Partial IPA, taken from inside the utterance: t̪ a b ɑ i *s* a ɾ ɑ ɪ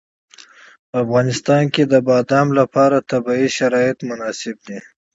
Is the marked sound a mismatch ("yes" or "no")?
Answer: yes